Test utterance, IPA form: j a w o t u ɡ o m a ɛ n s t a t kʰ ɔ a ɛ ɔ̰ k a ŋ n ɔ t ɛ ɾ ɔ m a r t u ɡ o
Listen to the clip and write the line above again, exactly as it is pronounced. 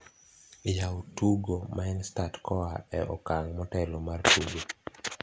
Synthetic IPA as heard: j a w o t u ɡ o m a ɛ n s t a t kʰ ɔ a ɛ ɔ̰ k a ŋ m ɔ t ɛ l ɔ m a r t u ɡ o